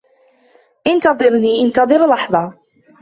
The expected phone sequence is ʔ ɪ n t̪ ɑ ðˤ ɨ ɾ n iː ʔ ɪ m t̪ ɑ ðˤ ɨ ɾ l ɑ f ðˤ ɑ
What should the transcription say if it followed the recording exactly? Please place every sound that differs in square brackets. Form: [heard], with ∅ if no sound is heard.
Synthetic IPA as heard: ʔ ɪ n t̪ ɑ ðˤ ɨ ɾ n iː ʔ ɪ [n] t̪ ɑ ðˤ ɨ ɾ l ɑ [ħ] ðˤ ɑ